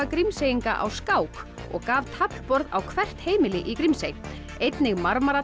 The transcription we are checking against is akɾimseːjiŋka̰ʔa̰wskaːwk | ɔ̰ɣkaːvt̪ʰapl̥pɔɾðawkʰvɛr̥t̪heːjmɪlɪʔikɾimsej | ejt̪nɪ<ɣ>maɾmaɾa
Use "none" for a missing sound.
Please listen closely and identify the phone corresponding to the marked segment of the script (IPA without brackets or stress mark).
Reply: ɣ